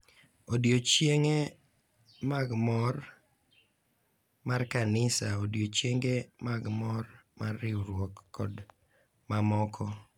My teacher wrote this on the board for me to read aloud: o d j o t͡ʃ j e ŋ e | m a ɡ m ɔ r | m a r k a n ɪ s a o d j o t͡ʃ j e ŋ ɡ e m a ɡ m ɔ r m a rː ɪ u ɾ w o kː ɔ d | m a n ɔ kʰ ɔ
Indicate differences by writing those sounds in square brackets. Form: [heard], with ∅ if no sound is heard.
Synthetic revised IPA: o d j o t͡ʃ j e ŋ e | m a ɡ m ɔ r | m a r k a n ɪ s a o d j o t͡ʃ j e ŋ ɡ e m a ɡ m ɔ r m a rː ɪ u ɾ w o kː ɔ d | m a [m] ɔ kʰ ɔ